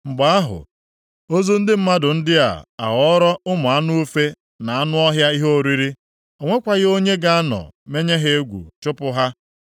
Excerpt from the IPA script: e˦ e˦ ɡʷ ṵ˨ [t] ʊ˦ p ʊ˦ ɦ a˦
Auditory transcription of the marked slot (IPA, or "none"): t͡ʃ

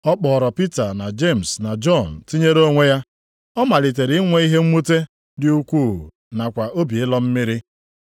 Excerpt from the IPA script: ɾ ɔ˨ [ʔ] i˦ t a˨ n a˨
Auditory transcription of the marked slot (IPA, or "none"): p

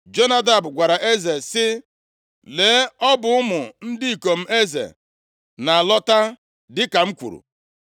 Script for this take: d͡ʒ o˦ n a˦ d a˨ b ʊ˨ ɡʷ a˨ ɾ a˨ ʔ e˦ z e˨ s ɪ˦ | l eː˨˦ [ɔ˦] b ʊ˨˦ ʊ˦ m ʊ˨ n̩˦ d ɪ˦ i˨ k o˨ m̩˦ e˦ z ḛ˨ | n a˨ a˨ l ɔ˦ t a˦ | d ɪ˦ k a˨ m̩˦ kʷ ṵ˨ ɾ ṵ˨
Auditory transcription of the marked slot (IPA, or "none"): ɔ˦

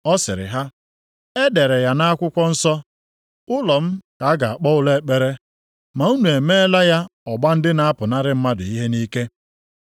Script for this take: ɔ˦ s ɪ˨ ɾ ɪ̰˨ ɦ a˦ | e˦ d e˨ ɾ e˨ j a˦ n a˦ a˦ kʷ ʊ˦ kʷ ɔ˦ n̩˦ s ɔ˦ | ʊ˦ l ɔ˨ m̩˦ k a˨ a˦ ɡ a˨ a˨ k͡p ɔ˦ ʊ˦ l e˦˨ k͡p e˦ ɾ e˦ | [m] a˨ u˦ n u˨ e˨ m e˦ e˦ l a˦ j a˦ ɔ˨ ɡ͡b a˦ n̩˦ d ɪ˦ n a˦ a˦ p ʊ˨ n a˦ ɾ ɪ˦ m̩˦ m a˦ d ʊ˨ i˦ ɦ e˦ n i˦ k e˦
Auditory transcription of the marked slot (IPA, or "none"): m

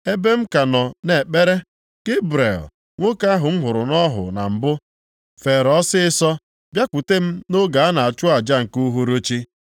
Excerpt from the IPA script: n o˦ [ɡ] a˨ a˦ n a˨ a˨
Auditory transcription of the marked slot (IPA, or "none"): ɡ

